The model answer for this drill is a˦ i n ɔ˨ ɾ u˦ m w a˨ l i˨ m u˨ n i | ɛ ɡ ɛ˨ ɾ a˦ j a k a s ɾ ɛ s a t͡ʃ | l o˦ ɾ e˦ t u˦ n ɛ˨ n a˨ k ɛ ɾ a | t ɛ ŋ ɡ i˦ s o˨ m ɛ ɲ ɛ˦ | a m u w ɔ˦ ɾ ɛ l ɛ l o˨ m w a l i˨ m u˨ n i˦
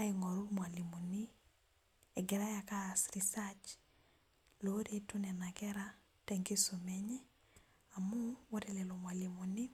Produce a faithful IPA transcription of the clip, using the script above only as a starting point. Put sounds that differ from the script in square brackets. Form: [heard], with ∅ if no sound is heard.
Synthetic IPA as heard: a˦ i [ŋ] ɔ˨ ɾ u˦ m w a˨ l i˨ m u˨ n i | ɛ ɡ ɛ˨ ɾ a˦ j a k a s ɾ [i] s a t͡ʃ | l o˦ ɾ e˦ t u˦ n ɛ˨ n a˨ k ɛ ɾ a | t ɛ ŋ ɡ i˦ s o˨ m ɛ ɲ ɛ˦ | a m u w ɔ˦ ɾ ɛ l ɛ l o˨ m w a l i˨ m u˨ n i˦